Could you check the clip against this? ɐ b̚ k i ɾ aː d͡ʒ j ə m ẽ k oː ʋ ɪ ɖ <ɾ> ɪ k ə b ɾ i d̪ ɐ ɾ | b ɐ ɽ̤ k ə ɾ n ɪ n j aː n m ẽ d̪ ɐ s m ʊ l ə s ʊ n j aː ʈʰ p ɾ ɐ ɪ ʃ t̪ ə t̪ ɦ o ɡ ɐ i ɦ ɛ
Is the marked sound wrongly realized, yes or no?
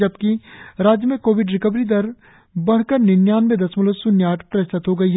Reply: no